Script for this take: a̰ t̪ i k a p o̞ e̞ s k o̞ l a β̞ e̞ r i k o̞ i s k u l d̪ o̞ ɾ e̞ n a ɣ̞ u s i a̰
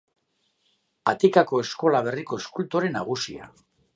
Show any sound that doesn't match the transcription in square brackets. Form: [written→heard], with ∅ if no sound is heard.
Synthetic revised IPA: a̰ t̪ i k a [p→k] o̞ e̞ s k o̞ l a β̞ e̞ r i k o̞ [i→e] s k u l [d̪→t̪] o̞ ɾ e̞ n a ɣ̞ u s i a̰